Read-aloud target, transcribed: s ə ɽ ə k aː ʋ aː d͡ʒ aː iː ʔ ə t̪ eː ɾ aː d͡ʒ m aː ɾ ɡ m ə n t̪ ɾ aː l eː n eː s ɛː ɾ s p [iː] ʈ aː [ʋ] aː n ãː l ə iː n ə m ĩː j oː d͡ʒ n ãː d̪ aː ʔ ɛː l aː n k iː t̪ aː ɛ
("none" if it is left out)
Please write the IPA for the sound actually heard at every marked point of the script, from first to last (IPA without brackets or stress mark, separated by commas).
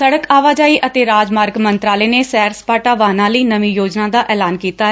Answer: aː, ʋ